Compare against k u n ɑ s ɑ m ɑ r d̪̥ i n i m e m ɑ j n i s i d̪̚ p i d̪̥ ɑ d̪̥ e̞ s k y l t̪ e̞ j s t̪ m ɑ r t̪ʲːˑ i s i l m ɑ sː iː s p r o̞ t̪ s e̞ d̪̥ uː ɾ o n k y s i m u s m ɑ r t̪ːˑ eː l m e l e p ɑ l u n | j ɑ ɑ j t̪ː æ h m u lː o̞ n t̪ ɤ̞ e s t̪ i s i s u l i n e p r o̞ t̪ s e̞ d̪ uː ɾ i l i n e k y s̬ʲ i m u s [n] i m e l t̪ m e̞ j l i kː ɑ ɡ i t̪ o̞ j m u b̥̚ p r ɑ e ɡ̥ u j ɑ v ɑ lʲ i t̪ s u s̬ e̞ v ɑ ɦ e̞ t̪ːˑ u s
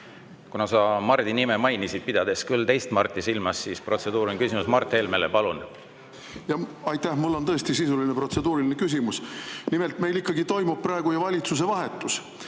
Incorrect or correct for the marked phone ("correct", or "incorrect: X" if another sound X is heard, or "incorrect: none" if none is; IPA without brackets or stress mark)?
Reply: correct